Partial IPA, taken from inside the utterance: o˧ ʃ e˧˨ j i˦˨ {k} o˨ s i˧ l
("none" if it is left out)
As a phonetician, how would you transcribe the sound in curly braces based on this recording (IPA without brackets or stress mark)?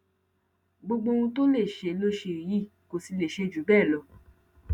k